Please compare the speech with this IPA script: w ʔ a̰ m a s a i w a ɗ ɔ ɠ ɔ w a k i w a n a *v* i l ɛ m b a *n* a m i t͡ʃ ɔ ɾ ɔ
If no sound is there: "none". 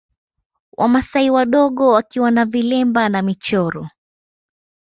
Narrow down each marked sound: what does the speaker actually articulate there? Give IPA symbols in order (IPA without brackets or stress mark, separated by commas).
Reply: v, n